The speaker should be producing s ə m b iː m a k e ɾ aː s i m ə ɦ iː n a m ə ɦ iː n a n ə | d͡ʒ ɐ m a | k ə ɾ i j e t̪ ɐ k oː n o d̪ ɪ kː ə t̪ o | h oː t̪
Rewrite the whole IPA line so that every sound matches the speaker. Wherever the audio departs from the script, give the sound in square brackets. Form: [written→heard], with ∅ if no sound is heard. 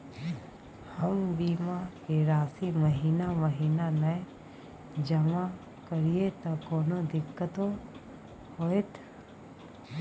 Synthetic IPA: [s→h] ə m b iː m a k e ɾ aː s i m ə ɦ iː n a m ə ɦ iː n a n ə | d͡ʒ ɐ m a | k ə ɾ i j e t̪ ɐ k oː n o d̪ ɪ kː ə t̪ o | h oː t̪